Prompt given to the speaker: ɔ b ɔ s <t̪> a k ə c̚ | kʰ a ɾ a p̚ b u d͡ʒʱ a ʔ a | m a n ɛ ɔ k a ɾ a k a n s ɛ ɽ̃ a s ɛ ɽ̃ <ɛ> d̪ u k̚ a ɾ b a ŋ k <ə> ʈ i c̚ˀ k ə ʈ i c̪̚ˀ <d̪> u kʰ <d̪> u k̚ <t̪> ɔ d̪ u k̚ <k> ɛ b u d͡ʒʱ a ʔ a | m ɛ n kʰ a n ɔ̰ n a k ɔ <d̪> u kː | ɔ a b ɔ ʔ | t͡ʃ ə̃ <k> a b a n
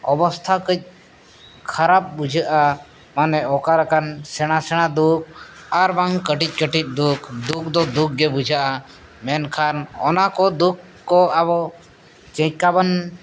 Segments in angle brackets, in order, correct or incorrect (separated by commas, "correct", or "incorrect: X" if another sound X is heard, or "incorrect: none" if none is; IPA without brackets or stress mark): incorrect: t̪ʰ, incorrect: a, correct, correct, correct, incorrect: d̪, incorrect: ɡ, correct, correct